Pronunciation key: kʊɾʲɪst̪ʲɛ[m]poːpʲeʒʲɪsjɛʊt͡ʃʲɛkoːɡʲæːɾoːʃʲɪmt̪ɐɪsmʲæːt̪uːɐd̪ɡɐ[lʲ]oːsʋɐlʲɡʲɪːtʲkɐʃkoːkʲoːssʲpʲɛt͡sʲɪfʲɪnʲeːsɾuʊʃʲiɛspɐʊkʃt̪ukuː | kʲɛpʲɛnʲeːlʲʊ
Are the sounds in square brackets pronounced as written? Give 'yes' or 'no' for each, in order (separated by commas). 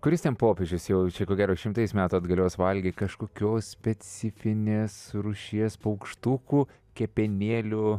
no, yes